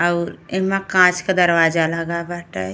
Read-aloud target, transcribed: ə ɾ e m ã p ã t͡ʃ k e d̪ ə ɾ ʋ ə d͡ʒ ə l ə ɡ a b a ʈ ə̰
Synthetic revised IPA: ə ɾ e m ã k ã t͡ʃ k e d̪ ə ɾ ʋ a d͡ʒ a l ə ɡ a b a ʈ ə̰